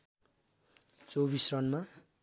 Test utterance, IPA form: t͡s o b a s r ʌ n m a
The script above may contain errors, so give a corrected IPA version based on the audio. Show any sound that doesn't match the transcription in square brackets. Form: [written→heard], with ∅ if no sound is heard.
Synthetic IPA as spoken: t͡s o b [a→i] s r ʌ n m a